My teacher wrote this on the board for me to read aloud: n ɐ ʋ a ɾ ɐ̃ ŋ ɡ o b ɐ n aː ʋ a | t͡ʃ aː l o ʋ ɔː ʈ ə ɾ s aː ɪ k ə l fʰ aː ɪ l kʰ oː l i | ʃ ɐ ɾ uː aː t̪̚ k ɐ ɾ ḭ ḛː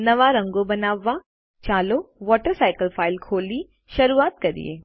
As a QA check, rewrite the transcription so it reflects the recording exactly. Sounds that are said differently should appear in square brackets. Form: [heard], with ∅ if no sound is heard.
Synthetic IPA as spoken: n ɐ ʋ a ɾ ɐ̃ ŋ ɡ o b ɐ n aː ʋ a | t͡ʃ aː l o ʋ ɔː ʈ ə ɾ s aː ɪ k ə l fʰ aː ɪ l kʰ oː l i | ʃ ɐ ɾ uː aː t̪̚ k ɐ ɾ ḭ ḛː